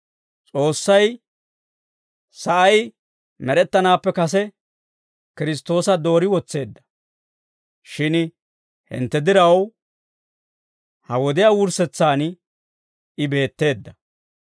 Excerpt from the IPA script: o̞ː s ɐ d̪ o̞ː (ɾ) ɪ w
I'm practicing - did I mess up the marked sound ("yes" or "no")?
no